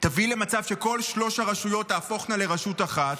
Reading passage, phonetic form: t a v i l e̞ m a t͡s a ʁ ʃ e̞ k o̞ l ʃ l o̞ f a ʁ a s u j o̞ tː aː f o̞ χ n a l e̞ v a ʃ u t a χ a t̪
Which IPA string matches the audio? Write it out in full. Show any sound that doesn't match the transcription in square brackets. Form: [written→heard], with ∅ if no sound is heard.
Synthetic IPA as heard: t a v i l e̞ m a t͡s a [ʁ→v] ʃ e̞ k o̞ l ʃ l o̞ [f→ʃ] a ʁ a [s→ʃ] u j o̞ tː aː f o̞ χ n a l e̞ [v→ʁ] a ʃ u t a χ a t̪